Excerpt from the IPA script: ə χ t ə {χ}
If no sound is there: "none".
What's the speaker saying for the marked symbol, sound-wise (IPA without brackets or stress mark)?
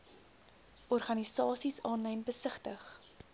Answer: χ